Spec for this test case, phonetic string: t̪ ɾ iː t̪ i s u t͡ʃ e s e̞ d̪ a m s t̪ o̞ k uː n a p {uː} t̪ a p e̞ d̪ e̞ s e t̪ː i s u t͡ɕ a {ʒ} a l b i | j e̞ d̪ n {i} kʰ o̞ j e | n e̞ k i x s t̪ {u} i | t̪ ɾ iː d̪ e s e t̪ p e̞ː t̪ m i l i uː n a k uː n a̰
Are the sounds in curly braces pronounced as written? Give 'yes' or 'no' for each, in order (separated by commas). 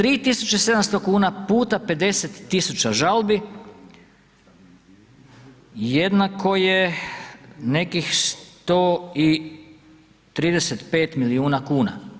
yes, yes, no, no